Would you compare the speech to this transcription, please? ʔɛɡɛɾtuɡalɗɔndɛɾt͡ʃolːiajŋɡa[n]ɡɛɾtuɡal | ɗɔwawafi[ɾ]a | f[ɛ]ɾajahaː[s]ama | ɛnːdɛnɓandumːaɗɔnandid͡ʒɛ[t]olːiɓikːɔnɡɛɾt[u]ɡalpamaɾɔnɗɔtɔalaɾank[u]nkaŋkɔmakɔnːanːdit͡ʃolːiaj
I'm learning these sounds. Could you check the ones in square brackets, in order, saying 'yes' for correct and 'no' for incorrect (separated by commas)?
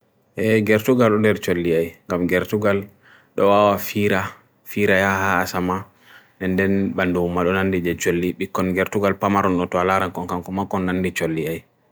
no, yes, no, yes, no, yes, no